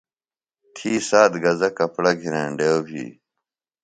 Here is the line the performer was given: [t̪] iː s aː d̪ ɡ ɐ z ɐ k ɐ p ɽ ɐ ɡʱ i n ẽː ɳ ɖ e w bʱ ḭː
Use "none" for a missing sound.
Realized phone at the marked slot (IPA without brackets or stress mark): t̪ʰ